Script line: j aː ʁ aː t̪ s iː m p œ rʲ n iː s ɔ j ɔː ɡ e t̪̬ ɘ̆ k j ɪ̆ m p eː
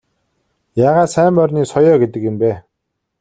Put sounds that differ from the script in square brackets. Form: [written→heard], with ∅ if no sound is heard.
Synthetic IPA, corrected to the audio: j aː ʁ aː t̪ s [iː→æː] m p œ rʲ n iː s ɔ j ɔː ɡ e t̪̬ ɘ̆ k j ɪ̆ m p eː